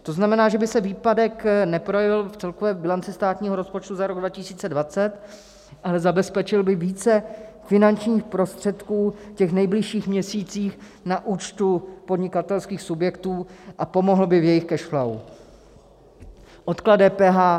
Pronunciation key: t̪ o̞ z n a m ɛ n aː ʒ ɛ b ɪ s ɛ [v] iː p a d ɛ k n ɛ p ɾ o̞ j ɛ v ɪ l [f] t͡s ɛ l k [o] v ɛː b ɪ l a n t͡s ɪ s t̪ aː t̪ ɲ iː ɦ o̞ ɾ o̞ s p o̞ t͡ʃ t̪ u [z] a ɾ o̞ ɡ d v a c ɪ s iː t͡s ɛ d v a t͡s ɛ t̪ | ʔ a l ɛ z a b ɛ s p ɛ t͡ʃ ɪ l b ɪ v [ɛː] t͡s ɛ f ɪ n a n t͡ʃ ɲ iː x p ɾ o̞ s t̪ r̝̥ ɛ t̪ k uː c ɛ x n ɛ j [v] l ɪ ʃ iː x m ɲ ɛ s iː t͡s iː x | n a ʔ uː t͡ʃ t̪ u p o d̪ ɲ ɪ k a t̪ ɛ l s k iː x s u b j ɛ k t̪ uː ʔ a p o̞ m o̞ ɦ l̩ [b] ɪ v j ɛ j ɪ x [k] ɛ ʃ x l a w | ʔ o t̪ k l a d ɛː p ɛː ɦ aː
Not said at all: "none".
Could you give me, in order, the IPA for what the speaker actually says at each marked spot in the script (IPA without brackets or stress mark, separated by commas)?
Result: v, f, o, z, iː, b, b, k